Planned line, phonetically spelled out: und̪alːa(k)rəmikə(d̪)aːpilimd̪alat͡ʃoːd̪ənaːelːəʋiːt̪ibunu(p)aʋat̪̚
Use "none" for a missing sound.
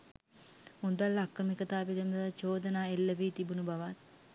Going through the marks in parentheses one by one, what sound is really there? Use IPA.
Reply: k, t̪, b

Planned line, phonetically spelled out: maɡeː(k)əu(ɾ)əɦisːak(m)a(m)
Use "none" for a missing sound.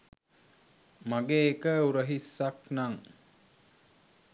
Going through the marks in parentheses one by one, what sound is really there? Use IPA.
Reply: k, ɾ, n, ŋ

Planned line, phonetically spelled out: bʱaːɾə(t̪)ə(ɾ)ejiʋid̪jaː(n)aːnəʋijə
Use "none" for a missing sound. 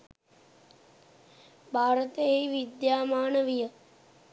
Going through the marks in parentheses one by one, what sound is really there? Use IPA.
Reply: t̪, none, m

